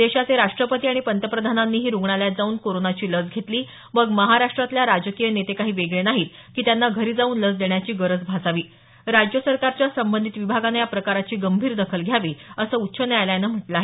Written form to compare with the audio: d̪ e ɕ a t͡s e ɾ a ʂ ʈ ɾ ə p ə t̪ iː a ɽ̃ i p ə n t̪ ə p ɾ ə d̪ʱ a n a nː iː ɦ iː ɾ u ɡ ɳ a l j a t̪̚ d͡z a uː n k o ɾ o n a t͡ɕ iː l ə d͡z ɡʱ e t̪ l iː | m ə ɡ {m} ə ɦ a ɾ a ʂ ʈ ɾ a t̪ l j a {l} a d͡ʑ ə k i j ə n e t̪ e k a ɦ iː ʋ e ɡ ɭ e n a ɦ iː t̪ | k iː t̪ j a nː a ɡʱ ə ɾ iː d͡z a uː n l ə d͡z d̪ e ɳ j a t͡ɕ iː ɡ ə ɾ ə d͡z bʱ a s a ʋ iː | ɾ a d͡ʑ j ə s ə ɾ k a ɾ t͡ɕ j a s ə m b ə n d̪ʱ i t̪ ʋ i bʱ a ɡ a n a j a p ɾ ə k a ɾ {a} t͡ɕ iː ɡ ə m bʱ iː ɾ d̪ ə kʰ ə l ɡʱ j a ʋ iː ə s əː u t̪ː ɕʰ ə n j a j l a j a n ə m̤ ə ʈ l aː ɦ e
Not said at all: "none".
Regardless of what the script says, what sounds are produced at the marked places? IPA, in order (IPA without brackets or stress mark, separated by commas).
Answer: m, ɾ, a